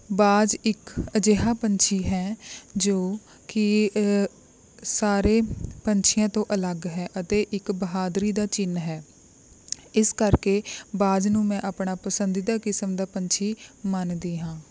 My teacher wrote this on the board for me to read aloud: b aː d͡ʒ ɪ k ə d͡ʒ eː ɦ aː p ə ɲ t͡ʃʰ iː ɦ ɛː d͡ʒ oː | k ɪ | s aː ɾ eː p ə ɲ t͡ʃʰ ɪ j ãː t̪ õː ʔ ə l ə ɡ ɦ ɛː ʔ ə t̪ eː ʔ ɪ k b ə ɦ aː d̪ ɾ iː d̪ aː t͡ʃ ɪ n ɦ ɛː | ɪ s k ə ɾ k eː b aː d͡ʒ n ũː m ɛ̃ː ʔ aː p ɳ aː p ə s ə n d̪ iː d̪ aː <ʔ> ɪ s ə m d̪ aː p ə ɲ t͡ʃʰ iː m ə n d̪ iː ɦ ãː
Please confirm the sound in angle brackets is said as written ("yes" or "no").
no